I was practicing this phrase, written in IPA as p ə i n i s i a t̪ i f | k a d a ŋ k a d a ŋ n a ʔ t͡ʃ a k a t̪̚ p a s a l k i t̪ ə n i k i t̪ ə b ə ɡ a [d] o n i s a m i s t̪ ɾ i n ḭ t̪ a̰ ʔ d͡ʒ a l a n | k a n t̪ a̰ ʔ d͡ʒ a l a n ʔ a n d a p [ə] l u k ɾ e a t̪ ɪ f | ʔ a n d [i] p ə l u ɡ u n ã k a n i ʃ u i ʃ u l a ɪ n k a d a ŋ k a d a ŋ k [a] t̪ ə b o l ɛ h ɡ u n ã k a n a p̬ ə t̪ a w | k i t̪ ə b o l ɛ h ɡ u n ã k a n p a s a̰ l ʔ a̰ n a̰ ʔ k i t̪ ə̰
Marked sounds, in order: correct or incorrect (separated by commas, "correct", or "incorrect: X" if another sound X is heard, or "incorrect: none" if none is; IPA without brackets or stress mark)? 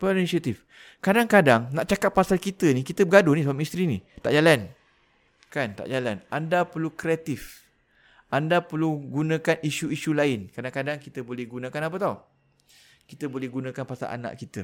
correct, correct, incorrect: a, incorrect: i